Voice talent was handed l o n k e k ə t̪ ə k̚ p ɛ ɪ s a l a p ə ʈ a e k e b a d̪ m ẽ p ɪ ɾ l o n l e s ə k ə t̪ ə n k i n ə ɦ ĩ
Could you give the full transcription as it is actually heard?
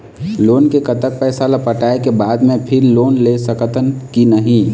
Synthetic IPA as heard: l o n k e k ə t̪ ə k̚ p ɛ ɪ s a l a p ə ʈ a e k e b a d̪ m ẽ pʰ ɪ ɾ l o n l e s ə k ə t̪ ə n k i n ə ɦ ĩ

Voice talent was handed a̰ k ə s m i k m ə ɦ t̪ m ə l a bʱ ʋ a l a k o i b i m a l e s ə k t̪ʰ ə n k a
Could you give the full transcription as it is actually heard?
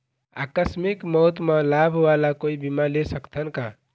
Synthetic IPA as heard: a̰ k ə s m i k m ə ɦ t̪ m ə l a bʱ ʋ a l a k o i b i m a l e s ə k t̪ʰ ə n k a

